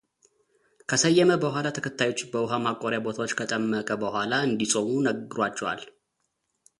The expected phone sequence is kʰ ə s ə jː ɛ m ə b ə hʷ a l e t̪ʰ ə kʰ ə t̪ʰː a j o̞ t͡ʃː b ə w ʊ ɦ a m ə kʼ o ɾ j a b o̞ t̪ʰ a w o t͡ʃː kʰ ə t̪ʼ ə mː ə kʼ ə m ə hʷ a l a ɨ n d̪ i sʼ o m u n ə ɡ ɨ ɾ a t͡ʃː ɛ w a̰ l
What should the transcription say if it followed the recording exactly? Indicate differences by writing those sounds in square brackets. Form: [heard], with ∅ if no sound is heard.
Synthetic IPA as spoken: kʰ ə s ə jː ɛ m ə b ə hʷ a l [a] t̪ʰ ə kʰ ə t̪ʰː a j o̞ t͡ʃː b ə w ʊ ɦ a m [a] kʼ o ɾ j a b o̞ t̪ʰ a w o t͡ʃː kʰ ə t̪ʼ ə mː ə kʼ ə [b] ə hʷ a l a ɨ n d̪ i sʼ o m u n ə ɡ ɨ ɾ a t͡ʃː ɛ w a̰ l

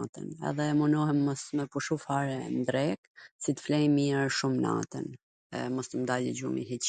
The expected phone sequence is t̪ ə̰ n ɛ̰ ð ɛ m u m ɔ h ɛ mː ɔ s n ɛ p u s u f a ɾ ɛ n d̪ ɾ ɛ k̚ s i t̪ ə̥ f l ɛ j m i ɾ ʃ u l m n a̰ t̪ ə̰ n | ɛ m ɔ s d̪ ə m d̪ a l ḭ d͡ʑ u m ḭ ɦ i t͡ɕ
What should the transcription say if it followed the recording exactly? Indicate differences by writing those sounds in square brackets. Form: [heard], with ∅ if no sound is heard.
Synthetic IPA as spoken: t̪ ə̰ n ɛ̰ ð ɛ m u [n] ɔ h ɛ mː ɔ s [m] ɛ p u [ʃ] u f a ɾ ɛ n d̪ ɾ ɛ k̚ s i t̪ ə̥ f l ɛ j m i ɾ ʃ u [∅] m n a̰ t̪ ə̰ n | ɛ m ɔ s [t̪] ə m d̪ a l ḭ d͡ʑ u m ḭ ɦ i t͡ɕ

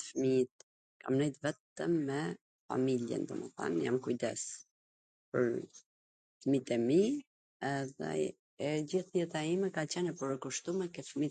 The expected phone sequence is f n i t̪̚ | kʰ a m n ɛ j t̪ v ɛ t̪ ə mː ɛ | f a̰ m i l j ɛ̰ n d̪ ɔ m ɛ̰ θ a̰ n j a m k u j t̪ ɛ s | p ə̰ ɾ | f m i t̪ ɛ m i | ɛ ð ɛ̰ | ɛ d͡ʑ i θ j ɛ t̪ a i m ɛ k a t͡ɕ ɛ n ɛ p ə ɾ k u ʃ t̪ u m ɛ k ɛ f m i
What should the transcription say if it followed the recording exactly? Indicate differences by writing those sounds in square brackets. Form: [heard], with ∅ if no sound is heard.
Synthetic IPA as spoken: f [m] i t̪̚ | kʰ a m n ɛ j t̪ v ɛ t̪ ə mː ɛ | f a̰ m i l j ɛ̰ n d̪ ɔ m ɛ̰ θ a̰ n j a m k u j [d̪] ɛ s | p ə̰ ɾ | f m i t̪ ɛ m i | ɛ ð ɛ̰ | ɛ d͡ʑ i θ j ɛ t̪ a i m ɛ k a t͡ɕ ɛ n ɛ p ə ɾ k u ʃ t̪ u m ɛ k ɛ f m i

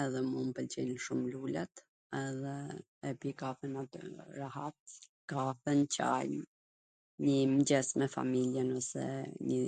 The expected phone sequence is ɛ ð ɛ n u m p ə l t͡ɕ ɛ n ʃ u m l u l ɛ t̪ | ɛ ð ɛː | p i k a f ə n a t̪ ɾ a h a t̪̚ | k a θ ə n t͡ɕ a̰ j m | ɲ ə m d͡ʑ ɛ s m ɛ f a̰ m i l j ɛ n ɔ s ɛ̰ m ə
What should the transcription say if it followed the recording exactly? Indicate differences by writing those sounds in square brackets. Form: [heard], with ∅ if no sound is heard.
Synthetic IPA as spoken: ɛ ð ɛ [m] u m p ə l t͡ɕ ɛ n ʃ u m l u l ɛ t̪ | ɛ ð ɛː | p i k a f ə n a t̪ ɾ a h a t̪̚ | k a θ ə n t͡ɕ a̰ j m | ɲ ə m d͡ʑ ɛ s m ɛ f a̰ m i l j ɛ n ɔ s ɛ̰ [ɲ] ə

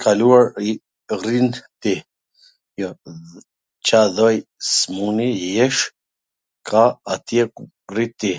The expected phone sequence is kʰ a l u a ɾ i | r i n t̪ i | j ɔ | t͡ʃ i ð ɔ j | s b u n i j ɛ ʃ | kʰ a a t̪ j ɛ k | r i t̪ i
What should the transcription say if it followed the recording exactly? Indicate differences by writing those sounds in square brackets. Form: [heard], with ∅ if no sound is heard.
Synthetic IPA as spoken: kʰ a l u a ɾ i | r i n t̪ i | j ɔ | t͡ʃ [a] ð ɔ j | s [m] u n i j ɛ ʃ | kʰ a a t̪ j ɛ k | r i t̪ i

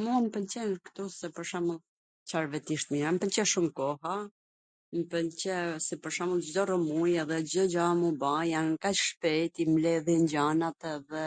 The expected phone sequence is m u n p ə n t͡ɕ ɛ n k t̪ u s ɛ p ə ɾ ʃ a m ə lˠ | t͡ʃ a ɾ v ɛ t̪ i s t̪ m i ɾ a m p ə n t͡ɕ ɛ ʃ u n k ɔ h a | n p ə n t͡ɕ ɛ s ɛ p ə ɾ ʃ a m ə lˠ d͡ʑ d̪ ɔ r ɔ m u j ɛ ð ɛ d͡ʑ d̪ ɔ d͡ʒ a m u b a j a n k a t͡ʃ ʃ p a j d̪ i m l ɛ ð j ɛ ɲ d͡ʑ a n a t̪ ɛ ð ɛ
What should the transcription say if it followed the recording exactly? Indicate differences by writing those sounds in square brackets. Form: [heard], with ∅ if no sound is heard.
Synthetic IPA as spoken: m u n p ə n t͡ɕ ɛ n k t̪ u s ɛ p ə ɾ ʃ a m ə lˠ | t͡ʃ a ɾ v ɛ t̪ i [ʃ] t̪ m i ɾ a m p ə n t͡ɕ ɛ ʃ u [m] k ɔ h a | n p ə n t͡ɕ ɛ s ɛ p ə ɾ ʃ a m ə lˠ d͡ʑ d̪ ɔ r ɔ m u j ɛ ð ɛ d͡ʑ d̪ ɔ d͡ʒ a m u b a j a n k a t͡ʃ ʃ p [ɛ] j [t̪] i m l ɛ ð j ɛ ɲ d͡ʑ a n a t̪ ɛ ð ɛ

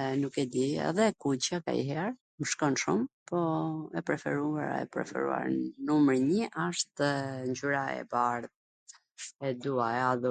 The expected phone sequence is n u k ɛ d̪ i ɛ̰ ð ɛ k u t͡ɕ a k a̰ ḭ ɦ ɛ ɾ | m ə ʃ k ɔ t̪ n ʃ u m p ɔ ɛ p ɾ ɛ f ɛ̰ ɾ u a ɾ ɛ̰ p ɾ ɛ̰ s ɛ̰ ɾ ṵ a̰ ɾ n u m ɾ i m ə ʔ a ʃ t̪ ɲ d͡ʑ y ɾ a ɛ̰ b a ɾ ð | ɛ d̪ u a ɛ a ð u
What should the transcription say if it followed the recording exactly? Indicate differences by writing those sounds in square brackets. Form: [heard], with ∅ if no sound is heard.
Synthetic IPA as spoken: n u k ɛ d̪ i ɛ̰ ð ɛ k u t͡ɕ a k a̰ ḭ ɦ ɛ ɾ | m ə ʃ k ɔ [∅] n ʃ u m p ɔ ɛ p ɾ ɛ f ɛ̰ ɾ u a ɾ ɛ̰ p ɾ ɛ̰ [f] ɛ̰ ɾ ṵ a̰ ɾ n u m ɾ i [ɲ] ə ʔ a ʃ t̪ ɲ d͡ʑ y ɾ a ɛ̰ b a ɾ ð | ɛ d̪ u a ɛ a ð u

